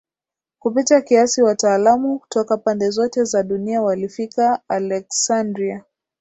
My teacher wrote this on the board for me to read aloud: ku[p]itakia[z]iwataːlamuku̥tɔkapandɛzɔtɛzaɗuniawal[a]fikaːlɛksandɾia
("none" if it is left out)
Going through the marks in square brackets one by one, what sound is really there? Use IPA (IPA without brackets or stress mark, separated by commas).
p, s, i